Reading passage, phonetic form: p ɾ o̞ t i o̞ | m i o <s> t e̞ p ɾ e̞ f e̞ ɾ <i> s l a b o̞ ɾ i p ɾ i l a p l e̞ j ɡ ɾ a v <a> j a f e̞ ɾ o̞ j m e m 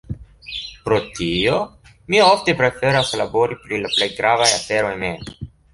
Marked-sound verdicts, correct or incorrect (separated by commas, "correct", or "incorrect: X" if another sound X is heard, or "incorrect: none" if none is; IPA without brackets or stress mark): incorrect: f, incorrect: a, correct